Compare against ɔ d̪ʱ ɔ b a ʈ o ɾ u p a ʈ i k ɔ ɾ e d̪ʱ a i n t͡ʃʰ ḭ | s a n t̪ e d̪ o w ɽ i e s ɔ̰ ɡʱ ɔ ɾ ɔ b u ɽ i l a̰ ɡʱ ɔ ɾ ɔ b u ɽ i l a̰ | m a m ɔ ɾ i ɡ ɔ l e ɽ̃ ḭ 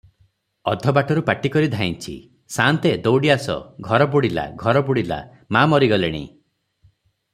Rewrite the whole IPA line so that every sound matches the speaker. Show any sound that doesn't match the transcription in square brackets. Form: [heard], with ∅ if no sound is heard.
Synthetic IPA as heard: ɔ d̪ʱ ɔ b a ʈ [ɔ] ɾ u p a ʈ i k ɔ ɾ [i] d̪ʱ a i n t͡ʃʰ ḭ | s a n t̪ e d̪ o w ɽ i [a] s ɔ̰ ɡʱ ɔ ɾ ɔ b u ɽ i l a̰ ɡʱ ɔ ɾ ɔ b u ɽ i l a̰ | m a m ɔ ɾ i ɡ ɔ l e ɽ̃ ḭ